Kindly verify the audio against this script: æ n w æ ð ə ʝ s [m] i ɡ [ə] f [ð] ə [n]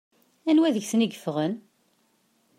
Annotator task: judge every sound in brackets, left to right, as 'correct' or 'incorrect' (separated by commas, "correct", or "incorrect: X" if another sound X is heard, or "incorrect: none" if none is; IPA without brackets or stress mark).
incorrect: n, correct, incorrect: ʁ, correct